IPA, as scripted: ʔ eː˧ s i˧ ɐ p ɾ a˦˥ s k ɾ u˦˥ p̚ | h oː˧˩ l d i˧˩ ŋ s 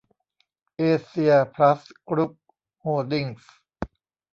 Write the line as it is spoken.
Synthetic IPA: ʔ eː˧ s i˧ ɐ pʰ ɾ a˦˥ s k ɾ u˦˥ p̚ | h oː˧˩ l d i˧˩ ŋ s